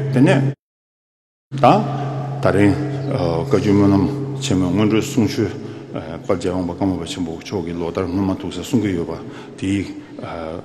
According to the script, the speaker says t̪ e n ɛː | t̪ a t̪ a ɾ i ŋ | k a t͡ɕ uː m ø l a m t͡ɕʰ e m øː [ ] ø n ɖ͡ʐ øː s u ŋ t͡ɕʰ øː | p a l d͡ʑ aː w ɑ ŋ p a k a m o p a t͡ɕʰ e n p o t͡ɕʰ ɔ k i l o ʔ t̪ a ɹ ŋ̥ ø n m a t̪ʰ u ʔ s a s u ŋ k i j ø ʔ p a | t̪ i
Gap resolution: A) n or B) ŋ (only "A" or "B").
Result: B